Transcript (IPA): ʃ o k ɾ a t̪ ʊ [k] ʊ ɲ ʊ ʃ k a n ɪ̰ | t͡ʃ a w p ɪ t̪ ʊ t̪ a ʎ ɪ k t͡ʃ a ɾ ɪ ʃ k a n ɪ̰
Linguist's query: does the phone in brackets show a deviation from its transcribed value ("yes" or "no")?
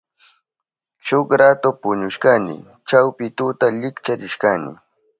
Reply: yes